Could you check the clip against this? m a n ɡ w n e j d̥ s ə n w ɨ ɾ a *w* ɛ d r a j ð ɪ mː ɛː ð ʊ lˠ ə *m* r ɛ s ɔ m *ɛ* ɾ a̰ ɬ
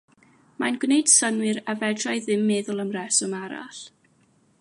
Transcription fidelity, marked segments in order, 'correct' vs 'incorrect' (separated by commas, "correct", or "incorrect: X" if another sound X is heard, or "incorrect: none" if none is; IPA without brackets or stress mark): incorrect: v, correct, incorrect: a